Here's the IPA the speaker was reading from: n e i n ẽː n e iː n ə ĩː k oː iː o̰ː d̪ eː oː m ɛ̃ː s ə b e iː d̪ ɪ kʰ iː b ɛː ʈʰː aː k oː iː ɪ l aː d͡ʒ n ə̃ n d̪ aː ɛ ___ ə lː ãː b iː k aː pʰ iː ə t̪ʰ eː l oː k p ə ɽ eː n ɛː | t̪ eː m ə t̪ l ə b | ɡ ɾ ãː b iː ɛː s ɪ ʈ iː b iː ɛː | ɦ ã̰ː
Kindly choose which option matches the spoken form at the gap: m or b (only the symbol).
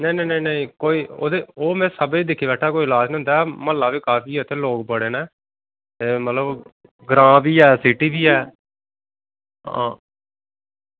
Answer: m